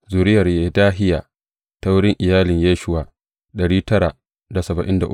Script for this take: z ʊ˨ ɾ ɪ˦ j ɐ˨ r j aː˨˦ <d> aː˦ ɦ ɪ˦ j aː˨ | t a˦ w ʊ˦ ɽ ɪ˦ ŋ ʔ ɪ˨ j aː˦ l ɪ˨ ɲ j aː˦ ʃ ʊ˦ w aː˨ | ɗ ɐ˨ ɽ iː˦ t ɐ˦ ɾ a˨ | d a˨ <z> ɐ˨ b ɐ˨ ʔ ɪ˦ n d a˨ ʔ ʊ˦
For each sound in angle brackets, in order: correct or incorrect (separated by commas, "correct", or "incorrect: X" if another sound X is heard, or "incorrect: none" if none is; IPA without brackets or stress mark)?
correct, incorrect: s